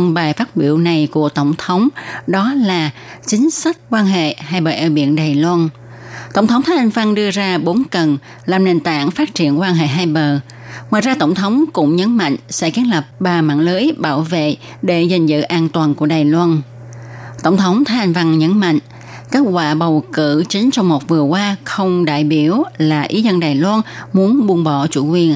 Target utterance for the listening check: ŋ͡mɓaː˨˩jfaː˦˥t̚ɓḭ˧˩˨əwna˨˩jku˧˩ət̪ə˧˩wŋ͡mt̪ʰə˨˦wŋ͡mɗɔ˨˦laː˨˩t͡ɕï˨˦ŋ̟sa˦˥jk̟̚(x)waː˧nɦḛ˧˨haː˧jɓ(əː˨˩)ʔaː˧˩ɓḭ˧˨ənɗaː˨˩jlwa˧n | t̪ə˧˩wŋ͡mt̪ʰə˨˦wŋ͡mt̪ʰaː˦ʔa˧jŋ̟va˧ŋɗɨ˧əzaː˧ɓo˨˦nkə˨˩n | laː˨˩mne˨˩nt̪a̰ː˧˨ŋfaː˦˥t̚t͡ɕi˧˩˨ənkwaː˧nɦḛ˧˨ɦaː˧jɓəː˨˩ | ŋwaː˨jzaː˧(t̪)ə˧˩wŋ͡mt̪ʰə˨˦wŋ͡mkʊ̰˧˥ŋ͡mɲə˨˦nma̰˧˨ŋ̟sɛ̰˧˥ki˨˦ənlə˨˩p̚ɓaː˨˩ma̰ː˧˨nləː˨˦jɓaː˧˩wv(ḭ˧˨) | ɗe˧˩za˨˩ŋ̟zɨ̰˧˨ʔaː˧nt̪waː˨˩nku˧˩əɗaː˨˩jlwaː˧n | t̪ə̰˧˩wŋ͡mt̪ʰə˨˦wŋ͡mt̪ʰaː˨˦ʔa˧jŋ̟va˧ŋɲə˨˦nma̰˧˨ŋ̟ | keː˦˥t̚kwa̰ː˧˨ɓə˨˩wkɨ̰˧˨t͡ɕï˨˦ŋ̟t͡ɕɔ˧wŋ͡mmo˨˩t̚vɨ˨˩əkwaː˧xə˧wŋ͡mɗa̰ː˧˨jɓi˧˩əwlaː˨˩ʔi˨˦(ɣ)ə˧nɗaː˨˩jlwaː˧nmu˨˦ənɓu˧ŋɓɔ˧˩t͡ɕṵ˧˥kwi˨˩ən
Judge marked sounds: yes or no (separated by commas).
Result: no, yes, yes, no, no